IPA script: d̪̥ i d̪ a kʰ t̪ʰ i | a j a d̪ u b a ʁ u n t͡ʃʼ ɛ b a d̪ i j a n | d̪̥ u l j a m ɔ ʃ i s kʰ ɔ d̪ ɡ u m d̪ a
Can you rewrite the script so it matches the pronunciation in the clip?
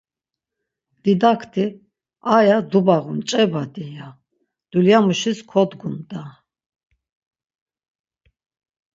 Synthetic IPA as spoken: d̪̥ i d̪ a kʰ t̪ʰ i | a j a d̪ u b a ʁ u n t͡ʃʼ ɛ b a d̪ i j a | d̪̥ u l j a m u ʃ i s kʰ ɔ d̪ ɡ u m d̪ a